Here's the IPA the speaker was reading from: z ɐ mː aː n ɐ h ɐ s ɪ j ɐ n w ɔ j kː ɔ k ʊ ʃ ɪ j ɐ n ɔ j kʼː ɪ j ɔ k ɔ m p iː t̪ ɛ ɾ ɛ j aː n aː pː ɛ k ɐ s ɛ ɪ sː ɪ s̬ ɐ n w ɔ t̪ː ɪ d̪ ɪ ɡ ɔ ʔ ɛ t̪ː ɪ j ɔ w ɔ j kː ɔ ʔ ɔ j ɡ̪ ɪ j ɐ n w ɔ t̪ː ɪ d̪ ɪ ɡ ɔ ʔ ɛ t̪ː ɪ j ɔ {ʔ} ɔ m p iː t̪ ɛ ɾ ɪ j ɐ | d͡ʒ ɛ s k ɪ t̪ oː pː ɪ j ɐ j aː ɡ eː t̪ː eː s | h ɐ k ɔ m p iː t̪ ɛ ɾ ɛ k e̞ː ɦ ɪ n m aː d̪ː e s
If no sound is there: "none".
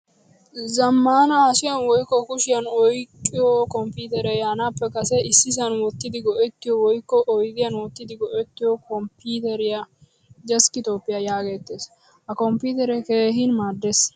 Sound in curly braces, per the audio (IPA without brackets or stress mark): k